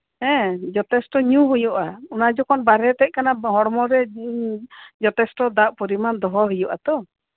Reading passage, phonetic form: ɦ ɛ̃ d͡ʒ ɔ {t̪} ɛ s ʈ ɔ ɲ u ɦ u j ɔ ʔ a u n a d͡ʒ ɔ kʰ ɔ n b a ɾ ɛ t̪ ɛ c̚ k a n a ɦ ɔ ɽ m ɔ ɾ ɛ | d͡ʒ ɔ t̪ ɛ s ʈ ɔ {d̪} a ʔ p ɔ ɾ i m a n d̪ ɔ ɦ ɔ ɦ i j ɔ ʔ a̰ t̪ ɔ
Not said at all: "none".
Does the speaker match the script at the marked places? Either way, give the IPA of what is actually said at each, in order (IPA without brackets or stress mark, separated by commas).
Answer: t̪, d̪